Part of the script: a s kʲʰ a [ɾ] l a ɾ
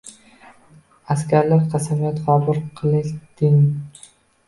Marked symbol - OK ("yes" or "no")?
yes